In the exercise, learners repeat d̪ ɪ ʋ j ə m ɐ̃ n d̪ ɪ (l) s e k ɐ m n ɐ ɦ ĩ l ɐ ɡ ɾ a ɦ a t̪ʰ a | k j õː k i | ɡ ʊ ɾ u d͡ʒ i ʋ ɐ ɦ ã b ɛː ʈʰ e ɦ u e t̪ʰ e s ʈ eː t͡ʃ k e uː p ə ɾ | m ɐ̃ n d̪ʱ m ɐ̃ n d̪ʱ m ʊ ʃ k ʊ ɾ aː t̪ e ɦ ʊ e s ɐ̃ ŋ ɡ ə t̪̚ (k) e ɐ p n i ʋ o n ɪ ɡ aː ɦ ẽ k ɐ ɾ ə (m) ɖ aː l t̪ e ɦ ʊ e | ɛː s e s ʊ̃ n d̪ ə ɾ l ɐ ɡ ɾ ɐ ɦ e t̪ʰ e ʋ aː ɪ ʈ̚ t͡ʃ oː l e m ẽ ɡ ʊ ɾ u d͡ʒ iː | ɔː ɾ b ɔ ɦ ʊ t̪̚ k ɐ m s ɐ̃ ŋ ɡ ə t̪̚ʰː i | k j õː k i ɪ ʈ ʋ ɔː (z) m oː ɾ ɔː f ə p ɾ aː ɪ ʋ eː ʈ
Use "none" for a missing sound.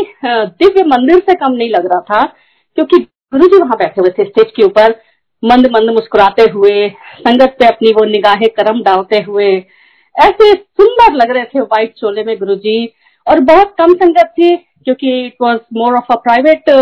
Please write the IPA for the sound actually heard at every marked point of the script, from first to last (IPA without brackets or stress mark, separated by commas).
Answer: ɾ, p, m, z